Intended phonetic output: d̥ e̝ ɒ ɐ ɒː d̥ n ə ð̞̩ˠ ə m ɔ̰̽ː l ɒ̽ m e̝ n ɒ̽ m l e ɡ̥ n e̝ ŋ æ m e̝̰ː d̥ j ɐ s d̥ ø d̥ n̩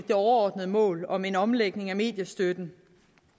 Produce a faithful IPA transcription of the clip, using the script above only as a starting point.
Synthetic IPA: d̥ e̝ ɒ ɐ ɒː d̥ n ə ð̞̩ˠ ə m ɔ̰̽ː l ɒ̽ m e̝ n ɒ̽ m l e ɡ̥ n e̝ ŋ æ m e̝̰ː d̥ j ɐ s d̥ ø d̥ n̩